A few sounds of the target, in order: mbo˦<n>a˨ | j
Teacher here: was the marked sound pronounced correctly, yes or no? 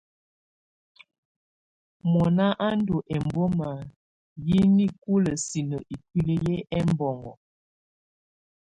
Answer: no